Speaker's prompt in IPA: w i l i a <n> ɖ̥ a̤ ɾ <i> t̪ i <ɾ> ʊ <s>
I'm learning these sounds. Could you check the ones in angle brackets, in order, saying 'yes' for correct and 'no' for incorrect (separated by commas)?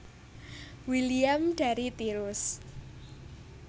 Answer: no, yes, yes, yes